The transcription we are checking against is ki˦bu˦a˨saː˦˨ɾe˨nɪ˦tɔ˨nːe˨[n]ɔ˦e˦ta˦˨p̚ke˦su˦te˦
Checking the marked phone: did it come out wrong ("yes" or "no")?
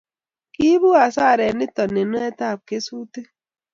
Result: no